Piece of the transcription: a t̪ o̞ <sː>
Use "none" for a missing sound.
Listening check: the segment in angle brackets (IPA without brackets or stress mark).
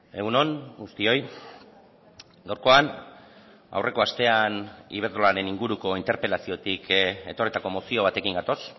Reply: s